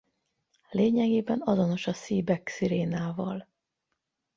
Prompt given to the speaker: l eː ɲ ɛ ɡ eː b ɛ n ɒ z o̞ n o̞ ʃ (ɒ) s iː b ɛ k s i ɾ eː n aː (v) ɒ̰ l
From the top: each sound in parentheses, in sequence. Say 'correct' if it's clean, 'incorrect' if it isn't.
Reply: correct, correct

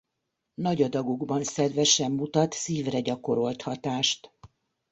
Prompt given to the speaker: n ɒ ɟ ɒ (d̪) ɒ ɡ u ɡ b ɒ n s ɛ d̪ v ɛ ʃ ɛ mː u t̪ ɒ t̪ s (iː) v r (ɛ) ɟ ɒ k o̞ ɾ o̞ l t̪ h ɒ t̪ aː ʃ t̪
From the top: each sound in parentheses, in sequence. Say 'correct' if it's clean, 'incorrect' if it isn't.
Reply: correct, correct, correct

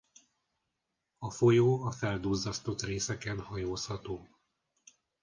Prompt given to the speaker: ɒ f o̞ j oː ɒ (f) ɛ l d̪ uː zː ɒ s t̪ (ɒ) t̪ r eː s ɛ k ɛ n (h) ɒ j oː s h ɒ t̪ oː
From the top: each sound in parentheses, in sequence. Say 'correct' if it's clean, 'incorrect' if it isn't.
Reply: correct, incorrect: o, correct

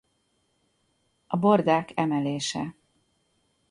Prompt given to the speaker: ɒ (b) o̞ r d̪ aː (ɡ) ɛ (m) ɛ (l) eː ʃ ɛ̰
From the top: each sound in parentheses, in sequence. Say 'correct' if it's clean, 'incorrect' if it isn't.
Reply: correct, incorrect: k, correct, correct

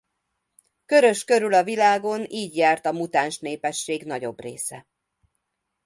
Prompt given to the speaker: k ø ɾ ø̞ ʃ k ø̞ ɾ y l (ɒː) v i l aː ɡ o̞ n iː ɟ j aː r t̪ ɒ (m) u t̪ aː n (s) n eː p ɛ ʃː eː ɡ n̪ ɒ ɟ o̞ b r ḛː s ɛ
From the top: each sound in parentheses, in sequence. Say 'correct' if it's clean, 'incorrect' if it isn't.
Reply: incorrect: ɒ, correct, incorrect: ʃ

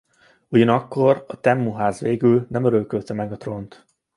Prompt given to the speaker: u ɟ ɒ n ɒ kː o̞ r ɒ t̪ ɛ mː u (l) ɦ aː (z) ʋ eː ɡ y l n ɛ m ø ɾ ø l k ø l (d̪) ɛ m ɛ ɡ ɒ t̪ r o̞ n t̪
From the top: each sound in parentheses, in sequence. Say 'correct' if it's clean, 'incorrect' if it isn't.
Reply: incorrect: none, correct, incorrect: t̪

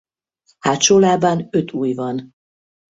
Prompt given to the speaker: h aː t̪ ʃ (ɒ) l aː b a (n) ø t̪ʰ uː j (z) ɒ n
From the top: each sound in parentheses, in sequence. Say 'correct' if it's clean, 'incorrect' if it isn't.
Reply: incorrect: o, correct, incorrect: v

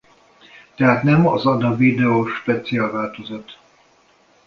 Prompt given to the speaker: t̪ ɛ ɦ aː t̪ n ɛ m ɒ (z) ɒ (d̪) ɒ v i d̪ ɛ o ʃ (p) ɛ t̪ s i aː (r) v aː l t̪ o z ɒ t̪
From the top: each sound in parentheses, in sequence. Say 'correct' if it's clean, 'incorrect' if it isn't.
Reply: correct, correct, correct, incorrect: l

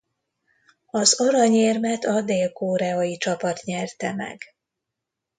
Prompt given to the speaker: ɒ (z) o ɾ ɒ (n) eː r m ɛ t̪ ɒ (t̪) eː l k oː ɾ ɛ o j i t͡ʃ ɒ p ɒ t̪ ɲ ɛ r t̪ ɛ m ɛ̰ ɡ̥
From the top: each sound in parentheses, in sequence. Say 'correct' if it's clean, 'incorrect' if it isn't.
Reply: correct, incorrect: ɲ, incorrect: d̪

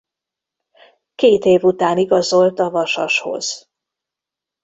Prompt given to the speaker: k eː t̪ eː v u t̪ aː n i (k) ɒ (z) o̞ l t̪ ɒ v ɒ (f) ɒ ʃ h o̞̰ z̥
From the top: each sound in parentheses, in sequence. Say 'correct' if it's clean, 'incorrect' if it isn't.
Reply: incorrect: ɡ, correct, incorrect: ʃ

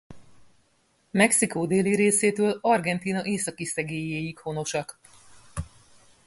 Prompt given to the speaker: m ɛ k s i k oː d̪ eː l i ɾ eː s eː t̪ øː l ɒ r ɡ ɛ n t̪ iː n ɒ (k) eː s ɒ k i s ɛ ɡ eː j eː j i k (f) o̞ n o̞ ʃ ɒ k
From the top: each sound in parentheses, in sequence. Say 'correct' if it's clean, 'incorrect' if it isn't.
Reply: incorrect: ʔ, incorrect: h

